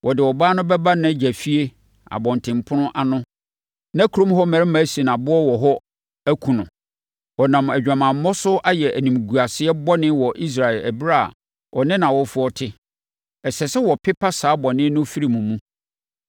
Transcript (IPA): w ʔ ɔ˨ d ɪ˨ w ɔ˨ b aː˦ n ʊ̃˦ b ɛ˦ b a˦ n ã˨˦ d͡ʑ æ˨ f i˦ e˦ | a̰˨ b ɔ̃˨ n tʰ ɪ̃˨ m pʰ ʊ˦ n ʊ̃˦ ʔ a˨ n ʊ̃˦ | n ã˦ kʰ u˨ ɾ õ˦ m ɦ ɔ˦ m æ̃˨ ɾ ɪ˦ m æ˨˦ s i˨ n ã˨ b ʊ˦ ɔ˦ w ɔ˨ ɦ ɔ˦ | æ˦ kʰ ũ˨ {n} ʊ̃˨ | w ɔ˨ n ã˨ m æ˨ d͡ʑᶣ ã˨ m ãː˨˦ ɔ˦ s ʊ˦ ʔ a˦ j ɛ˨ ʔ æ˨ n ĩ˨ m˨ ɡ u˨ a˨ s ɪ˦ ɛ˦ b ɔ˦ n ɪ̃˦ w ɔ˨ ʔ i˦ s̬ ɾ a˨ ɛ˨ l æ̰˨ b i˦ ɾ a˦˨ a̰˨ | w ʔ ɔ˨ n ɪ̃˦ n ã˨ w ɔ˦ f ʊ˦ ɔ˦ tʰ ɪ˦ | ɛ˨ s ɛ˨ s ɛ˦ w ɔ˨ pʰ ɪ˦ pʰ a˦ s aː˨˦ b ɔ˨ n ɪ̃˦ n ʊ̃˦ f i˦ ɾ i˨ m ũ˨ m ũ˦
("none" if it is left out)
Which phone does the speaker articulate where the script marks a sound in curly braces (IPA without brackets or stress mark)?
n